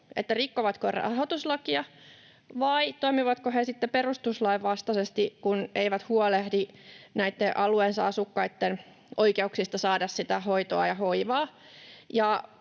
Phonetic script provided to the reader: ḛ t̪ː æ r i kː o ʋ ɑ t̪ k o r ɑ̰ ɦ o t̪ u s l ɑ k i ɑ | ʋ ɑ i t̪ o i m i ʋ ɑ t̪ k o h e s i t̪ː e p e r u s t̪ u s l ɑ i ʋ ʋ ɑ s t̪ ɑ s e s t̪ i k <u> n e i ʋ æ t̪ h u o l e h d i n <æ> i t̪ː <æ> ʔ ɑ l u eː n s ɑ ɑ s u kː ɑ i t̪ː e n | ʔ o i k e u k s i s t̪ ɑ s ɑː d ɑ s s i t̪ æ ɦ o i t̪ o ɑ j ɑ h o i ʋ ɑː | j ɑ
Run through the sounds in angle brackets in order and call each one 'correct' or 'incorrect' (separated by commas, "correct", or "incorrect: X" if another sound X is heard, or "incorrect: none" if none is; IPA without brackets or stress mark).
correct, correct, incorrect: e